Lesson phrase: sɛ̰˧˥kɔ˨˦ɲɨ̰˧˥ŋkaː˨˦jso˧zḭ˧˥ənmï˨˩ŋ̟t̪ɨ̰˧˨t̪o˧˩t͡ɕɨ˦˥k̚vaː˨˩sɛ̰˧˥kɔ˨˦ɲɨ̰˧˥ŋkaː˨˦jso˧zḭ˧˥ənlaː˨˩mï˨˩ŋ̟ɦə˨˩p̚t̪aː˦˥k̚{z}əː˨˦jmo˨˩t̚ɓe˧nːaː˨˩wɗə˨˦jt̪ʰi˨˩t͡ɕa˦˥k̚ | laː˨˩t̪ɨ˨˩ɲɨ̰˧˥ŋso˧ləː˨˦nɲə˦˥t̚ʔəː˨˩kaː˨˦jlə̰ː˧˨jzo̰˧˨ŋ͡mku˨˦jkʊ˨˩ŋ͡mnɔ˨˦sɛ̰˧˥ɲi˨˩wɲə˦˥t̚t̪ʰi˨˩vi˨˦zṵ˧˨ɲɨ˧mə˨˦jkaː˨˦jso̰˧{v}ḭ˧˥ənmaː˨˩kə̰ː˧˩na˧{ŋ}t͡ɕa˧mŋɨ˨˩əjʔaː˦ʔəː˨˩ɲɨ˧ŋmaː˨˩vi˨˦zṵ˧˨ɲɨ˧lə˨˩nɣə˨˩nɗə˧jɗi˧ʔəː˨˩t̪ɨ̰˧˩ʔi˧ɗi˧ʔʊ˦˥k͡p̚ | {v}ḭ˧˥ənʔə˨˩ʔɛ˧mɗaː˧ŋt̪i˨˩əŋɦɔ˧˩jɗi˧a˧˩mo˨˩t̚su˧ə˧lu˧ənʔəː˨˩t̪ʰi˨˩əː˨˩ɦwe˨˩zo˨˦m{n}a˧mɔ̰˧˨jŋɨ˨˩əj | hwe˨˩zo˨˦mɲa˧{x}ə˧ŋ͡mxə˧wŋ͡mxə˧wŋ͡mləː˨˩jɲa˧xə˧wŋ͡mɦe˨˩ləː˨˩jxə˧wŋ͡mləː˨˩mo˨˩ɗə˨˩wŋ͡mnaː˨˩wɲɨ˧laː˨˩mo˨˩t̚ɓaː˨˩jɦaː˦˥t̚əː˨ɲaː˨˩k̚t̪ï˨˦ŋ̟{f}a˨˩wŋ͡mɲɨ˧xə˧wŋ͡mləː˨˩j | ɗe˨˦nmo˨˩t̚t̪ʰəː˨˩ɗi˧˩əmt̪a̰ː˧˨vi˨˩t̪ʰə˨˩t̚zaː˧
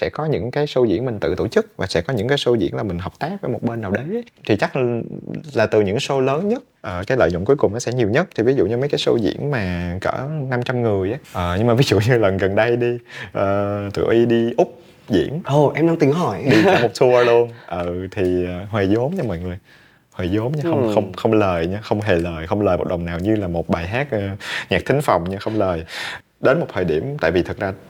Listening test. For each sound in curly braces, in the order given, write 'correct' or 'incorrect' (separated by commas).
incorrect, incorrect, incorrect, incorrect, incorrect, correct, correct